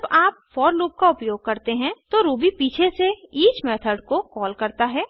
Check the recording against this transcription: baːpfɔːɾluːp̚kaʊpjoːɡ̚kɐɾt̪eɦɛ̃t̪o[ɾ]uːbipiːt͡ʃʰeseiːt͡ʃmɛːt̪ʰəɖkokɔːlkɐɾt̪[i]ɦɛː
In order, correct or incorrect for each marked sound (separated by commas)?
correct, incorrect